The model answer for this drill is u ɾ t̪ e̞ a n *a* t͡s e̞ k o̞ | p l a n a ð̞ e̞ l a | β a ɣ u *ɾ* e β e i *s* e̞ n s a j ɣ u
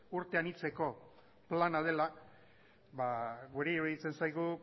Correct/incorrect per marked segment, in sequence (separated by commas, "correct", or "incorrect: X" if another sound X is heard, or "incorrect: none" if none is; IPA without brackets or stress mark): incorrect: i, correct, incorrect: t͡s